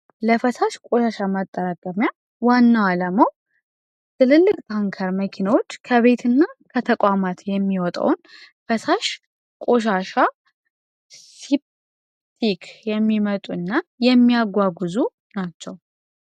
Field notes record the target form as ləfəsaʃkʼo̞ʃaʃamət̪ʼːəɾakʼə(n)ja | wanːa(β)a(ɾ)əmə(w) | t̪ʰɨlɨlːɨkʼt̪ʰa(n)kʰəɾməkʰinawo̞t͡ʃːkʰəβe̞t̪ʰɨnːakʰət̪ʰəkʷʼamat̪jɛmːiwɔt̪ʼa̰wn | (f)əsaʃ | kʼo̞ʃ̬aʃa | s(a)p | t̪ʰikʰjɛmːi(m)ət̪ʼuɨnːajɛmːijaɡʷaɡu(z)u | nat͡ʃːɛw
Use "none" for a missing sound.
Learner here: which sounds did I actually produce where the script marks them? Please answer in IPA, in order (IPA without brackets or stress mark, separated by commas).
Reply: m, w, l, w, ŋ, f, i, m, z